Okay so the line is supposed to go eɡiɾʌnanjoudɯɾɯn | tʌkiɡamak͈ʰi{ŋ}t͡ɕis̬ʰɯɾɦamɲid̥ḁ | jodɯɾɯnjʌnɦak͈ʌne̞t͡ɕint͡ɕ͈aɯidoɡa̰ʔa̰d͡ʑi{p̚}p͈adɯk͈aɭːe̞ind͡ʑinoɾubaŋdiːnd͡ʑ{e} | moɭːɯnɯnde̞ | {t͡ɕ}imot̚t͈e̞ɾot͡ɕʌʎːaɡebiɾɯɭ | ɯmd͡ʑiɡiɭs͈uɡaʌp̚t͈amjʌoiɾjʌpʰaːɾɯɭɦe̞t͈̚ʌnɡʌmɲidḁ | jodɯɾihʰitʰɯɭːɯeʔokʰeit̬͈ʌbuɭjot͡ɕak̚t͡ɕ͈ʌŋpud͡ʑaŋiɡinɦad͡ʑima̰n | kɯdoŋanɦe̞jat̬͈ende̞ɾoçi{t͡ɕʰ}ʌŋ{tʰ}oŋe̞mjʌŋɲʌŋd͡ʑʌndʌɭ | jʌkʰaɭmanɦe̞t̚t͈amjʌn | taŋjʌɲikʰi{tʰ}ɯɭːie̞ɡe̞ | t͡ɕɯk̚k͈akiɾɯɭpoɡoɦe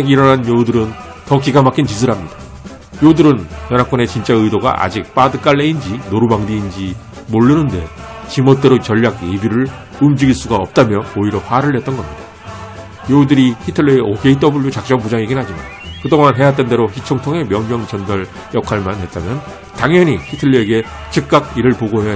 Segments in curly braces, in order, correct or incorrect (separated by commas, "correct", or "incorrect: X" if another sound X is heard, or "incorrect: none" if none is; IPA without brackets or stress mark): incorrect: n, incorrect: k̚, incorrect: i, correct, correct, correct, correct